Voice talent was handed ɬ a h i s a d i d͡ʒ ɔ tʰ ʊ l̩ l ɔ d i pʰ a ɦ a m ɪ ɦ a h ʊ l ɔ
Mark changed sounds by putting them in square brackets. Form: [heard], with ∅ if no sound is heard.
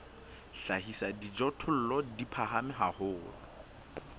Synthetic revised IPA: ɬ a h i s a d i d͡ʒ ɔ tʰ ʊ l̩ l ɔ d i pʰ a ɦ a m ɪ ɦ a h [ʊː] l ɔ